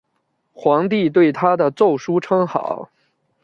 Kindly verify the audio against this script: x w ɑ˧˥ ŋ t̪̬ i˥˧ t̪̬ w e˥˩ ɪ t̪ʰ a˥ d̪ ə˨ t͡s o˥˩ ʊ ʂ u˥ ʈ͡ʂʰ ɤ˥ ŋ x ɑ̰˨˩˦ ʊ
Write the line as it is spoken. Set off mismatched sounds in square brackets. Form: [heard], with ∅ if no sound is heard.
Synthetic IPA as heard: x w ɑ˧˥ ŋ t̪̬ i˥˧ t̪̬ w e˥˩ ɪ t̪ʰ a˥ d̪ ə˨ t͡s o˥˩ ʊ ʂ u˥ ʈ͡ʂʰ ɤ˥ ŋ x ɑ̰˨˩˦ ʊ